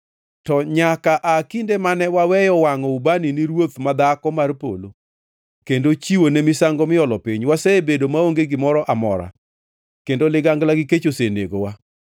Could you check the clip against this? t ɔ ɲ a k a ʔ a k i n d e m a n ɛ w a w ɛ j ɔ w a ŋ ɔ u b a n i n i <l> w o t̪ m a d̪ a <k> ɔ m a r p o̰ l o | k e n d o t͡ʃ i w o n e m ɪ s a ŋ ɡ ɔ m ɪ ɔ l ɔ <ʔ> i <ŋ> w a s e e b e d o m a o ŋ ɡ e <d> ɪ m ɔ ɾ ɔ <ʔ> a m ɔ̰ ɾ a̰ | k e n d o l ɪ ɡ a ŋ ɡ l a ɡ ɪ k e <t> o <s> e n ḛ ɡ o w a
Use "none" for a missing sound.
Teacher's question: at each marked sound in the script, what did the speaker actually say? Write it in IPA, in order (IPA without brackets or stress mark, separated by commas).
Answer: ɾ, k, p, ɲ, ɡ, ʔ, t͡ʃ, s